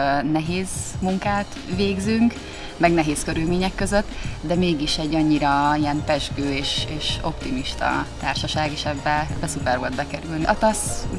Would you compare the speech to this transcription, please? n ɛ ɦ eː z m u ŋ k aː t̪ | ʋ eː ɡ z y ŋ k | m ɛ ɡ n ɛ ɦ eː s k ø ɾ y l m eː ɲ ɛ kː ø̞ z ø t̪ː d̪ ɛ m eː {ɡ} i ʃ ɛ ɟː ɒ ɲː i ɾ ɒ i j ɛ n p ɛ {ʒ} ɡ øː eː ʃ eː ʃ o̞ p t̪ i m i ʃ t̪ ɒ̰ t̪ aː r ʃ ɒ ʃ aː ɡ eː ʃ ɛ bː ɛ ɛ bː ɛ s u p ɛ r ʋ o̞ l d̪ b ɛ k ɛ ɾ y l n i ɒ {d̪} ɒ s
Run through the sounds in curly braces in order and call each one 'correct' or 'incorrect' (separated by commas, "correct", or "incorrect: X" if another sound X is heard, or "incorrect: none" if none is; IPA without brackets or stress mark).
correct, correct, incorrect: t̪